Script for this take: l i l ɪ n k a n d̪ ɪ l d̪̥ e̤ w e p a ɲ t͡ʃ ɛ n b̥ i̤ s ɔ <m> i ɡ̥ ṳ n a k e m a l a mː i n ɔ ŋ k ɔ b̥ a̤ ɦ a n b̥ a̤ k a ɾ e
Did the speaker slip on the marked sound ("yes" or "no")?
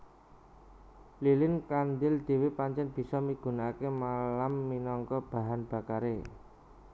no